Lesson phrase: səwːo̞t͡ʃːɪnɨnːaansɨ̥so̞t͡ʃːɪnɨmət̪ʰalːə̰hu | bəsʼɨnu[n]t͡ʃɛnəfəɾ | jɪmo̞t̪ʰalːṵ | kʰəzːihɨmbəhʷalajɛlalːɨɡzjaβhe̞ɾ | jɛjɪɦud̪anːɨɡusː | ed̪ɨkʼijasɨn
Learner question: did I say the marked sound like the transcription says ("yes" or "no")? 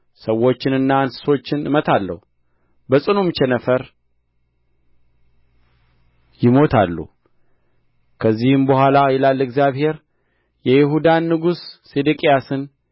no